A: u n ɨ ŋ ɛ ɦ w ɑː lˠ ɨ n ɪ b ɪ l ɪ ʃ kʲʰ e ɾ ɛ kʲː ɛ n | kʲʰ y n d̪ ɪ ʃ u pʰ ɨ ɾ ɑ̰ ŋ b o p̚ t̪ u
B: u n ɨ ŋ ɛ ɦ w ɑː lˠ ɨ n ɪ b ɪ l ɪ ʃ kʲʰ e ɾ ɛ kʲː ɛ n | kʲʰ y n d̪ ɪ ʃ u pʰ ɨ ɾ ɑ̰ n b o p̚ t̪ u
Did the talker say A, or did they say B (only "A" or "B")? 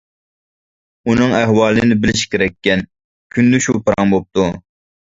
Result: A